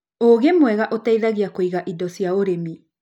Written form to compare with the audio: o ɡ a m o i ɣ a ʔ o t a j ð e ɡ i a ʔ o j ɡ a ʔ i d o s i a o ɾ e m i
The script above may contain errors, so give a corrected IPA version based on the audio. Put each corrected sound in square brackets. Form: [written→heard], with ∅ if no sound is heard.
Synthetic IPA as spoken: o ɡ [a→e] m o [i→e] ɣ a ʔ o t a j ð [e→a] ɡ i a [ʔ→k] o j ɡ a ʔ i d o s i a o ɾ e m i